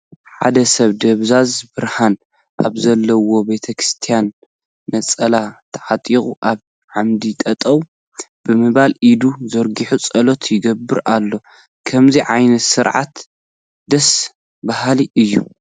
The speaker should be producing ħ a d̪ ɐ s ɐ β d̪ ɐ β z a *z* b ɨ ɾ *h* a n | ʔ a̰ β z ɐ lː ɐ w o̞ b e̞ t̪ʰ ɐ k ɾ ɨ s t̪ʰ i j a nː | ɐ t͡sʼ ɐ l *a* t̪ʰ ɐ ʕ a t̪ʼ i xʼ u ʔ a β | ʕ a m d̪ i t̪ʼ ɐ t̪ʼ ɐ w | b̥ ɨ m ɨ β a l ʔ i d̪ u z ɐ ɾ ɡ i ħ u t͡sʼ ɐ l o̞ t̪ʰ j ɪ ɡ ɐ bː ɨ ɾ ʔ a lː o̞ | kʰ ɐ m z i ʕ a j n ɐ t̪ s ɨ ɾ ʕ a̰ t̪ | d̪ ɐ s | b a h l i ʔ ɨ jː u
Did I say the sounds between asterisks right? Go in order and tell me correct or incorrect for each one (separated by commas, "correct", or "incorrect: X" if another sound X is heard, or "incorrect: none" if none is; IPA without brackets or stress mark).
correct, correct, correct